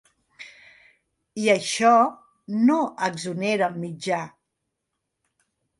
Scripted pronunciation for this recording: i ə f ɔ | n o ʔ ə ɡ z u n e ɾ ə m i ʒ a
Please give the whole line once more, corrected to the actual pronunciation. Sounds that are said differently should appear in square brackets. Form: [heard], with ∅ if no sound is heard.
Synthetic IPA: i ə [ʃ] ɔ | n o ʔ ə ɡ z u n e ɾ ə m i [d͡ʒ] a